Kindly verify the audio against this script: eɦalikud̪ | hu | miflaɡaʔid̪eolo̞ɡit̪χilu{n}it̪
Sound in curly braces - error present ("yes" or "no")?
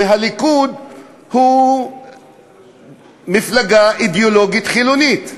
no